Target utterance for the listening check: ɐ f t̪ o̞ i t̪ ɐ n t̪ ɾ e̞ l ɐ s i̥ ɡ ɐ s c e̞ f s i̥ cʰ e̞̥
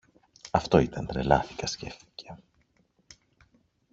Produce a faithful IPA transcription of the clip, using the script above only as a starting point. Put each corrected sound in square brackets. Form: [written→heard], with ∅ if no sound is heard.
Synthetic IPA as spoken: ɐ f t̪ o̞ i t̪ ɐ n t̪ ɾ e̞ l ɐ [s→θ] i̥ [ɡ→k] ɐ s c e̞ f [s→θ] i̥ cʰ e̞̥